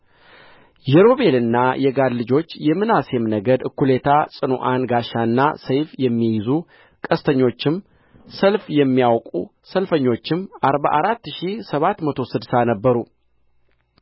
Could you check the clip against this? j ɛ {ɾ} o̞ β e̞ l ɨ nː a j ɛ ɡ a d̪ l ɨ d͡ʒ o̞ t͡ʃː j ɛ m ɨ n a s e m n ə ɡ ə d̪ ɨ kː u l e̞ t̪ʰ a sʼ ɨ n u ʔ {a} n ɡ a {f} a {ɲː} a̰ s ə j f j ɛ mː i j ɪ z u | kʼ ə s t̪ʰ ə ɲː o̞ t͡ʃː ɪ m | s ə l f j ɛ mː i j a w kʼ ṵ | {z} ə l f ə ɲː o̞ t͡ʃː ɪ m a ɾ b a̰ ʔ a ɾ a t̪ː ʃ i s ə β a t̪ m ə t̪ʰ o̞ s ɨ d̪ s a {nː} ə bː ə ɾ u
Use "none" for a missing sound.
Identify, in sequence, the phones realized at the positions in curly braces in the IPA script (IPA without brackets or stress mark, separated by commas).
ɾ, a, ʃ, nː, s, n